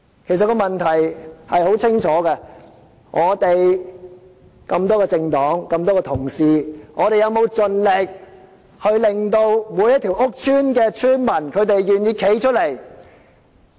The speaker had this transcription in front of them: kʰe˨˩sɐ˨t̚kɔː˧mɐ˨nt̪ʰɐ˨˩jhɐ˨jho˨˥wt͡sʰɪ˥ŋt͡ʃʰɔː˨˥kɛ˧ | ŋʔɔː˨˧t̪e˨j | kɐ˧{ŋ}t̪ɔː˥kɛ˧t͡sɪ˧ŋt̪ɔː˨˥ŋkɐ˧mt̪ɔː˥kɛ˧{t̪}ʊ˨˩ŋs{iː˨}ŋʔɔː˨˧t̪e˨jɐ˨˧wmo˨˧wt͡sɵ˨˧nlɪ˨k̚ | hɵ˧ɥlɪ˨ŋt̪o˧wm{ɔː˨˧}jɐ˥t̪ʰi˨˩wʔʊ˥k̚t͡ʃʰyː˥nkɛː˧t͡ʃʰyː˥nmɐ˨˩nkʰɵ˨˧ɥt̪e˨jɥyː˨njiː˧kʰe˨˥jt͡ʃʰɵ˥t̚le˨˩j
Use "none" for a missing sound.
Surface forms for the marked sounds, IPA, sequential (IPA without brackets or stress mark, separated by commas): m, t̪ʰ, iː˨, uː˨˧